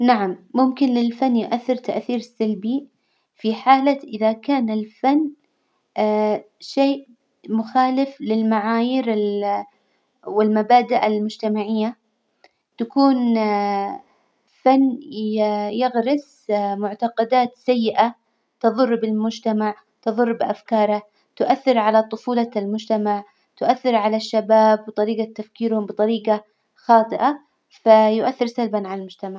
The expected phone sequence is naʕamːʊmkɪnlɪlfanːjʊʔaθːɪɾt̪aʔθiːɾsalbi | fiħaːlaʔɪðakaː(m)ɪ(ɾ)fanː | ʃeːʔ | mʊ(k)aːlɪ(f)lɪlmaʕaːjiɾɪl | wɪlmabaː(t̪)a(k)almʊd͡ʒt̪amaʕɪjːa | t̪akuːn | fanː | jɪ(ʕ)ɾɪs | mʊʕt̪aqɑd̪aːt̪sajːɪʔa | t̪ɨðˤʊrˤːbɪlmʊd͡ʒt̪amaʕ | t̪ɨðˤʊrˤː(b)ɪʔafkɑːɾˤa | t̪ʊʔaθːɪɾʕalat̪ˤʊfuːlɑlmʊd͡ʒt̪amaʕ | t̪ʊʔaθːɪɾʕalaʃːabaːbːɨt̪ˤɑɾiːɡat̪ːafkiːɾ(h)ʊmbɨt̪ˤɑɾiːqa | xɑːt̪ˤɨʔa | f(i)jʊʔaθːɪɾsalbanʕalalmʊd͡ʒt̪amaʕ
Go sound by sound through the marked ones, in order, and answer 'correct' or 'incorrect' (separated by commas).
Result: incorrect, incorrect, incorrect, correct, incorrect, incorrect, incorrect, correct, correct, incorrect